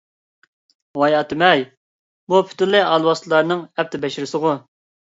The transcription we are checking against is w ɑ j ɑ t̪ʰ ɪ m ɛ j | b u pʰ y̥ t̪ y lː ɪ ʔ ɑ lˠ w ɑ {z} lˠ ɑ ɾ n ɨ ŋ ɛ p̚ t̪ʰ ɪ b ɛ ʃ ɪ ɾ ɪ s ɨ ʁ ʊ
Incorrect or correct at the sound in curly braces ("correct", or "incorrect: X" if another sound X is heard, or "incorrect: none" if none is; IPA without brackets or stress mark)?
incorrect: s